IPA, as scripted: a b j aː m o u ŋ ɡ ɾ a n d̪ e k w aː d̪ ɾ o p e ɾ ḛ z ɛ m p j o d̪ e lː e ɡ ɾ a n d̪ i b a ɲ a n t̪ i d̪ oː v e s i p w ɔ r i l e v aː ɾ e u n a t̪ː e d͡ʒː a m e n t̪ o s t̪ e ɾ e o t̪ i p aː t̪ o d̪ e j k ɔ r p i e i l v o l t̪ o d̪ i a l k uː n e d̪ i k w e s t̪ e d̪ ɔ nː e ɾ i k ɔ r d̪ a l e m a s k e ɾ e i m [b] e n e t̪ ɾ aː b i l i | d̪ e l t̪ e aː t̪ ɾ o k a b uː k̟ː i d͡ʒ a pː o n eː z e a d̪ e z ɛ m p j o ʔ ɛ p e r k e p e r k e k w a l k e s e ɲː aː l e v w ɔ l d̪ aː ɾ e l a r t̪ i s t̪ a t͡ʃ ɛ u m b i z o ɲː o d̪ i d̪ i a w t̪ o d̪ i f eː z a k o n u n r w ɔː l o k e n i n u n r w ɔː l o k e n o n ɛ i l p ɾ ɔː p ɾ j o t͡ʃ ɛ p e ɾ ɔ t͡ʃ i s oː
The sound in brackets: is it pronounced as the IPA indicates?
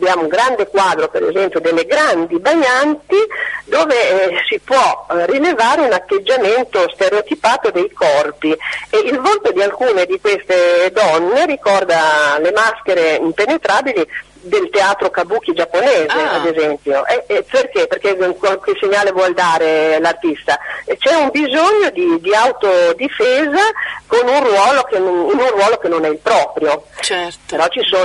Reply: no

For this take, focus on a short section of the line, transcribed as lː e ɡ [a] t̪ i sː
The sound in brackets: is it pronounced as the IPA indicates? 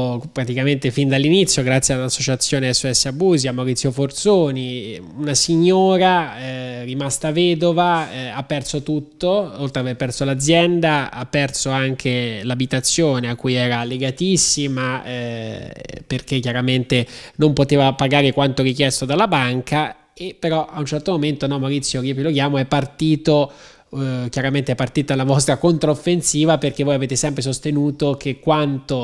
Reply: yes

